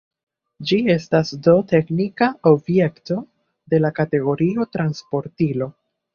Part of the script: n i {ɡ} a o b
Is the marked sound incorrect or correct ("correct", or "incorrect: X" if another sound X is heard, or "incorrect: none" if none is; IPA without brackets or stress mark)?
incorrect: k